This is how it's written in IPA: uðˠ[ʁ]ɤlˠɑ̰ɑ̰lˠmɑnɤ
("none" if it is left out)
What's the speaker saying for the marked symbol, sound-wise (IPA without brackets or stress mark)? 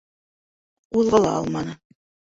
ʁ